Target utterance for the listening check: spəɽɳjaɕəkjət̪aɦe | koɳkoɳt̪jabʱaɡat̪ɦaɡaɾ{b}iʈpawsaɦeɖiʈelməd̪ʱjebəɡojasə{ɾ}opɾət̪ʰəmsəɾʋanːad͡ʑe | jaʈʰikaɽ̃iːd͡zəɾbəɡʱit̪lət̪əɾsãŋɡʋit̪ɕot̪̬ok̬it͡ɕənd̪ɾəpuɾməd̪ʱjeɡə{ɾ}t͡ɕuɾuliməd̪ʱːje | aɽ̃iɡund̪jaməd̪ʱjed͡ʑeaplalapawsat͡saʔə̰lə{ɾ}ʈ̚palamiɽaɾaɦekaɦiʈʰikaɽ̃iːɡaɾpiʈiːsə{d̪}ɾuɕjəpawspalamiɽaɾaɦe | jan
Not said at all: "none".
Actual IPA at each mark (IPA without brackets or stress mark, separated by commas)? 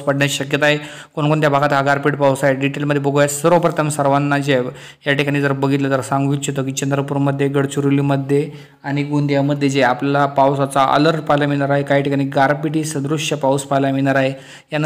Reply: p, ɾ, ɽ, ɾ, d̪